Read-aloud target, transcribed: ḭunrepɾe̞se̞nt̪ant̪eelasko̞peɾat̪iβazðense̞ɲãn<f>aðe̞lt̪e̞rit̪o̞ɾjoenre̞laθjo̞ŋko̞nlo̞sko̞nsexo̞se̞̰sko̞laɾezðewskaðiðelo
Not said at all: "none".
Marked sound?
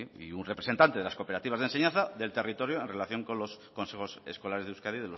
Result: θ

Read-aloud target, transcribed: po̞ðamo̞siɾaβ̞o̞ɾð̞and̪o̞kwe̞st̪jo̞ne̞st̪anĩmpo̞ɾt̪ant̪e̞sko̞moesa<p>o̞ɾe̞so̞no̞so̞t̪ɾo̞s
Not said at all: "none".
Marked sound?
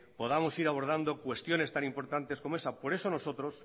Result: p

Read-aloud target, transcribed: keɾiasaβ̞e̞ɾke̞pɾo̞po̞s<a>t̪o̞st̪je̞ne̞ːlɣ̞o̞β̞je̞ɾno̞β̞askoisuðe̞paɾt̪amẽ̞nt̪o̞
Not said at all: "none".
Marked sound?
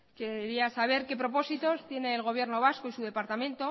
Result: i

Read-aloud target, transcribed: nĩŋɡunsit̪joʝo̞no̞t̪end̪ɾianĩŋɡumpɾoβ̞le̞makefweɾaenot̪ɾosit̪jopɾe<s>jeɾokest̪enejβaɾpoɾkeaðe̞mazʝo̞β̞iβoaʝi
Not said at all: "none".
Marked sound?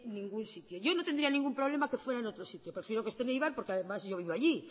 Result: f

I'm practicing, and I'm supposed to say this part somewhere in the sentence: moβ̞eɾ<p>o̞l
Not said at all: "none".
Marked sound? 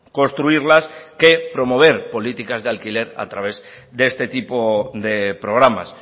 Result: p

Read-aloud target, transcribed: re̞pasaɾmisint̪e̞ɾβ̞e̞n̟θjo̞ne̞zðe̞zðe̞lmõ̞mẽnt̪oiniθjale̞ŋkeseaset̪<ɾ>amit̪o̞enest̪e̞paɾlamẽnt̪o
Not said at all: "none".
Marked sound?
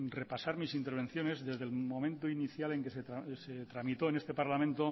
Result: ɾ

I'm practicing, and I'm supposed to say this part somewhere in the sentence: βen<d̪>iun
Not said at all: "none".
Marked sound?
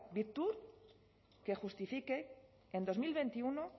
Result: t̪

